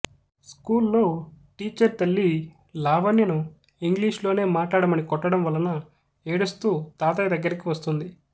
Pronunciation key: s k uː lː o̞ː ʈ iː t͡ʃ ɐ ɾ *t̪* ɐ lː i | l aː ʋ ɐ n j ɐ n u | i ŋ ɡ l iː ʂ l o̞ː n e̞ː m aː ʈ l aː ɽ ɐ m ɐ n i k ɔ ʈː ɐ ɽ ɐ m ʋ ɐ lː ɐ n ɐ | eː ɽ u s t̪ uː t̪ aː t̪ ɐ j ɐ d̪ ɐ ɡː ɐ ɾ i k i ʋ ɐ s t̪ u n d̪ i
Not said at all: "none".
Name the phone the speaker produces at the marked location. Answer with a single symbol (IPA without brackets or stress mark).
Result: t̪